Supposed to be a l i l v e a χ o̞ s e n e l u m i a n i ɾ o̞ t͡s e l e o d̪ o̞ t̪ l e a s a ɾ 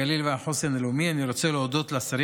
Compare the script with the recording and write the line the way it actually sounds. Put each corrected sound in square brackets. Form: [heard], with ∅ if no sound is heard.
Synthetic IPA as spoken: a l i l v e a [ħ] o̞ s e n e l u m i a n i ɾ o̞ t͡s e l e o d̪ o̞ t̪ l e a s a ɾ